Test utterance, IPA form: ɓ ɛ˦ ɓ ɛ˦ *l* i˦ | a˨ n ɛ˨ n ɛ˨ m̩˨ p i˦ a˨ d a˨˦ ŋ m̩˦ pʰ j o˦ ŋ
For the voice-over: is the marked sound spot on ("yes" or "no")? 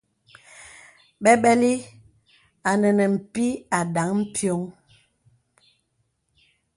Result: yes